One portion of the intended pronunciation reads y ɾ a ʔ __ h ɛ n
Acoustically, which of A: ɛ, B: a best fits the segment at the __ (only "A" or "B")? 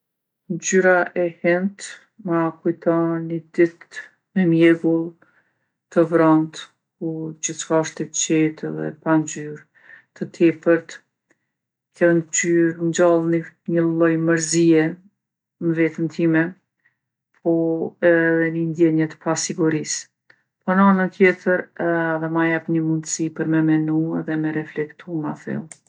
A